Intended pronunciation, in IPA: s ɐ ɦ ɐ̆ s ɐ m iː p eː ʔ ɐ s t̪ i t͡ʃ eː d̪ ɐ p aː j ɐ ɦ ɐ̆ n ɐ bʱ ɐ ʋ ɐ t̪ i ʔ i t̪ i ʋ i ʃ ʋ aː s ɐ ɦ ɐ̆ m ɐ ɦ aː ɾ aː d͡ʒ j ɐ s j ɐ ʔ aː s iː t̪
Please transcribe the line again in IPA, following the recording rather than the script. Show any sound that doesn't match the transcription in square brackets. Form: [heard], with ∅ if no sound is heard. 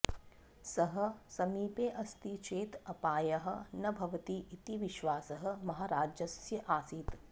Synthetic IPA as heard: s ɐ ɦ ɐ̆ s ɐ m iː p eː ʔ ɐ s t̪ i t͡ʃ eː [t̪] ɐ p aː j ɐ ɦ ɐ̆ n ɐ bʱ ɐ ʋ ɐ t̪ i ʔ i t̪ i ʋ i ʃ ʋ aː s ɐ ɦ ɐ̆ m ɐ ɦ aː ɾ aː d͡ʒ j ɐ s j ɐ ʔ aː s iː t̪